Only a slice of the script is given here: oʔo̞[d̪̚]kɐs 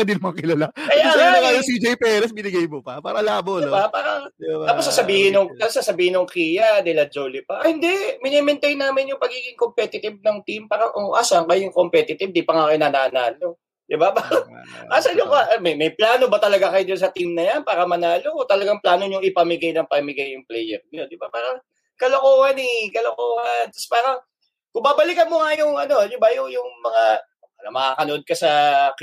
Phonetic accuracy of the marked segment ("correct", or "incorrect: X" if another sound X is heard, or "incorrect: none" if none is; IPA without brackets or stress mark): correct